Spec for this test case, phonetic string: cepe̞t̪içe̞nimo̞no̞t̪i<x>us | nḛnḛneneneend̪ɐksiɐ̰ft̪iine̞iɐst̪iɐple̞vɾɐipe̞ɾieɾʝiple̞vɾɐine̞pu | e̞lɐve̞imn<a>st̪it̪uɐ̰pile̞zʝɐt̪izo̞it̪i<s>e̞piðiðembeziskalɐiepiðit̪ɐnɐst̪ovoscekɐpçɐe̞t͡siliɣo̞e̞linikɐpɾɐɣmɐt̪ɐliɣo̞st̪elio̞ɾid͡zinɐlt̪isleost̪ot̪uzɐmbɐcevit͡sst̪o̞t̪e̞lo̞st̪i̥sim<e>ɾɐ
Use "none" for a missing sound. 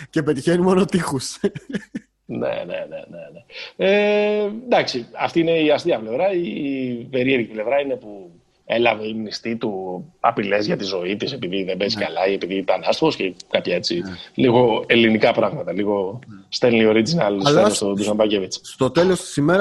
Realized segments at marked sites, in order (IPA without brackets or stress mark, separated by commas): x, i, s, e